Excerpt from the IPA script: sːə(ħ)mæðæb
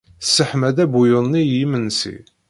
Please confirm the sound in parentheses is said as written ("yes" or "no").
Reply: yes